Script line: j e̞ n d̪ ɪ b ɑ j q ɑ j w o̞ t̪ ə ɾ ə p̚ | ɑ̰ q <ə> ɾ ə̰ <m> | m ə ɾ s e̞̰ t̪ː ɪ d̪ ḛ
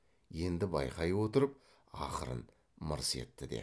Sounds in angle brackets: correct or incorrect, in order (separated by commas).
correct, incorrect